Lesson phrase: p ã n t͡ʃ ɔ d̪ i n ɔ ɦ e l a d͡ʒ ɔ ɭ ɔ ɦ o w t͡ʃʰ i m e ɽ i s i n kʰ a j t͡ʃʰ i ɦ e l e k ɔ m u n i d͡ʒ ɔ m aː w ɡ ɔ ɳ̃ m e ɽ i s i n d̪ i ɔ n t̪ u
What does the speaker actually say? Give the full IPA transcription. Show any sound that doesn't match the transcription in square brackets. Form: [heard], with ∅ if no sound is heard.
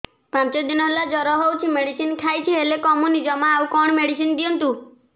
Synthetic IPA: p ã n t͡ʃ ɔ d̪ i n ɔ ɦ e l a d͡ʒ ɔ [ɾ] ɔ ɦ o w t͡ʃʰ i m e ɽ i s i n kʰ a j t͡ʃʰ i ɦ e l e k ɔ m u n i d͡ʒ ɔ m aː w [k] ɔ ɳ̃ m e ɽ i s i n d̪ i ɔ n t̪ u